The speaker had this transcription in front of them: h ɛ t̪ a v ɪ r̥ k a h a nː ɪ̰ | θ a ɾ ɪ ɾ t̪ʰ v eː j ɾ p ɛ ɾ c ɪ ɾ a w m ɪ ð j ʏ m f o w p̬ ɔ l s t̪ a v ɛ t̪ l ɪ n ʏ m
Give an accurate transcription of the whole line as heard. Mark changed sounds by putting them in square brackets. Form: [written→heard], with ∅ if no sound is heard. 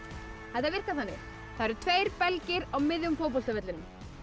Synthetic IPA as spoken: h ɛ t̪ a v ɪ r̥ k a [h→θ] a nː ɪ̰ | θ a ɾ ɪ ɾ t̪ʰ v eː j ɾ p ɛ [ɾ→l] c ɪ ɾ a w m ɪ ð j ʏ m f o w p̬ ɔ l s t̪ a v ɛ t̪ l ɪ n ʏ m

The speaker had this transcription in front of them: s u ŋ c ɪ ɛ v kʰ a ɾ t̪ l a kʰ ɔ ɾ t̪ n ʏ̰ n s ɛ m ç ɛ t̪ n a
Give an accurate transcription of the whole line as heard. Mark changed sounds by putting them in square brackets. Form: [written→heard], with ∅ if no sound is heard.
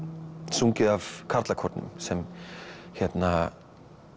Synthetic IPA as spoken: s u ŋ c ɪ [ɛ→a] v kʰ a ɾ t̪ l a kʰ ɔ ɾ t̪ n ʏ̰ [n→m] s ɛ m ç ɛ t̪ n a

